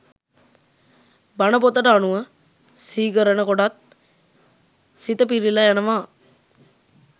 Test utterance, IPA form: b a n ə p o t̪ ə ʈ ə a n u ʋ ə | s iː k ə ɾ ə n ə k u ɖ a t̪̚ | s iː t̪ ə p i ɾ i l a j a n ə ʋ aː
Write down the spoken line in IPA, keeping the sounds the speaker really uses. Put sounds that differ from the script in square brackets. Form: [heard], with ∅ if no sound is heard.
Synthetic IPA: b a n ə p o t̪ ə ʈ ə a n u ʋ ə | s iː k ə ɾ ə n ə k [o] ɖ a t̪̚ | s [i] t̪ ə p i ɾ i l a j a n ə ʋ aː